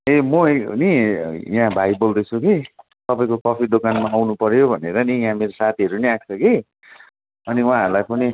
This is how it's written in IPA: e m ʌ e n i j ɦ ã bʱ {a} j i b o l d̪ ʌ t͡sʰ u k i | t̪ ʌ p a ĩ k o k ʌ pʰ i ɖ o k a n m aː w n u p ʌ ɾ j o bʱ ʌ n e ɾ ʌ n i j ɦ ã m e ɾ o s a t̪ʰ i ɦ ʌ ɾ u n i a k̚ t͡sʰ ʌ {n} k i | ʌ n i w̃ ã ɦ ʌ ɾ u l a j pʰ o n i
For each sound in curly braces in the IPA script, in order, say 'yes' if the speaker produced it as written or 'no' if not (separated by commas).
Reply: yes, no